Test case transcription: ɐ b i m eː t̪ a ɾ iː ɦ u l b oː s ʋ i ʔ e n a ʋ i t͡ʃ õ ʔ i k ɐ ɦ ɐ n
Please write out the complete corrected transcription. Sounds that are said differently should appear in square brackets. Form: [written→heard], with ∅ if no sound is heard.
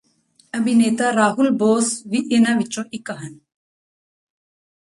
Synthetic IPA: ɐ b i [m→n] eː t̪ a ɾ [iː→aː] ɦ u l b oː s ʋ i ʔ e n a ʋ i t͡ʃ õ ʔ i k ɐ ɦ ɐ n